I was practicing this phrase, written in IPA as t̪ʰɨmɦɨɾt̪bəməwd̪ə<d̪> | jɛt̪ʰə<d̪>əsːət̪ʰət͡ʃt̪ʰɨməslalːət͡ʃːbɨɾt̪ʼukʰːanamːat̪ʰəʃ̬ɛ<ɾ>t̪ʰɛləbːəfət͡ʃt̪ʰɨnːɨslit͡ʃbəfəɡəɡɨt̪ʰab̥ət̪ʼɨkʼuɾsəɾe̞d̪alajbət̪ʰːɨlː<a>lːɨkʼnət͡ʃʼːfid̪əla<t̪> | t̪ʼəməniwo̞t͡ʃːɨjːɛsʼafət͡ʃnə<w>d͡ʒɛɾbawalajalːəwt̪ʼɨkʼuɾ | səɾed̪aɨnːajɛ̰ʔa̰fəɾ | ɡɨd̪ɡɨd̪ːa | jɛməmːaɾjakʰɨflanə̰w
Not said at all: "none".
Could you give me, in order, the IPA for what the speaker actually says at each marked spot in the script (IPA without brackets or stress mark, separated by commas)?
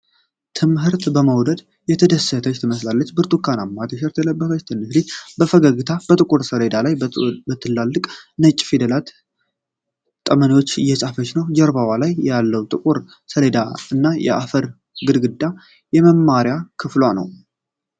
d̪, d̪, ɾ, a, t̪, w